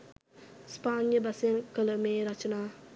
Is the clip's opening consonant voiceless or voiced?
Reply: voiceless